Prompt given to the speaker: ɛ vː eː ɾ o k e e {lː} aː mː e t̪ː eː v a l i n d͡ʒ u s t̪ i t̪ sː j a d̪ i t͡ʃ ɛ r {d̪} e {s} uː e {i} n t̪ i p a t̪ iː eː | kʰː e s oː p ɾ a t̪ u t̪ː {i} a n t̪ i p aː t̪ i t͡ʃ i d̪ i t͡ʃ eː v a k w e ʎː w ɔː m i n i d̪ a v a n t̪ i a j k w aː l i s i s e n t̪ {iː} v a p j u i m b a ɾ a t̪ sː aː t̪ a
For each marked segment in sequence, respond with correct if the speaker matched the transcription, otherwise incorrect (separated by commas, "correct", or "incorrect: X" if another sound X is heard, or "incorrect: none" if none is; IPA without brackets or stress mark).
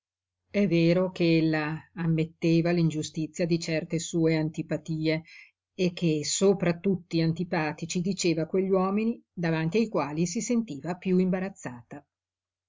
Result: correct, incorrect: t̪, correct, incorrect: a, correct, correct